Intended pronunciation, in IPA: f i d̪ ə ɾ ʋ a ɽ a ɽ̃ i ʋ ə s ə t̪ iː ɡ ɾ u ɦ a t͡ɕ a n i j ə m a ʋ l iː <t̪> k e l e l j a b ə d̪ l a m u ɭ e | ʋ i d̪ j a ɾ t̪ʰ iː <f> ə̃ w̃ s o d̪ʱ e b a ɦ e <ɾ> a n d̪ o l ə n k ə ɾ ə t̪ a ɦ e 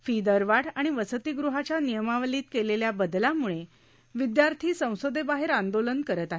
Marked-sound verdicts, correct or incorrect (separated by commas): correct, incorrect, correct